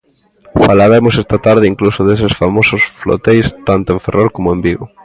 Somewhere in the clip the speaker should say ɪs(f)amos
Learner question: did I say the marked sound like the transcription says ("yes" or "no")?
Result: yes